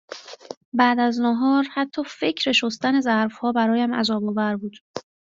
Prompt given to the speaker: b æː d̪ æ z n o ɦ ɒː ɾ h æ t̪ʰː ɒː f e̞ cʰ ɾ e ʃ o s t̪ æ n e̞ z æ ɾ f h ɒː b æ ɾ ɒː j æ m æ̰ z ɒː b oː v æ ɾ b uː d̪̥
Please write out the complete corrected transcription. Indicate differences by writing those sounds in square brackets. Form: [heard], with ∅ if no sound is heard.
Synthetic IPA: b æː d̪ æ z n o ɦ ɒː ɾ h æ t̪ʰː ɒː f e̞ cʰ ɾ e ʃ o s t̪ æ n e̞ z æ ɾ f h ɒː b æ ɾ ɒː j æ m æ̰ z ɒː b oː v æ ɾ b uː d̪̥